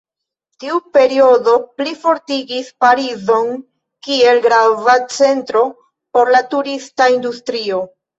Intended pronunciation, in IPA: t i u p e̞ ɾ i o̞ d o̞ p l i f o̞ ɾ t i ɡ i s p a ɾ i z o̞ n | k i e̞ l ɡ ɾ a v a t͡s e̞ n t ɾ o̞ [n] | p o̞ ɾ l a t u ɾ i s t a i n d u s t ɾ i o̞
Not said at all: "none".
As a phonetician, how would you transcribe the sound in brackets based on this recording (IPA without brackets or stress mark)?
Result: none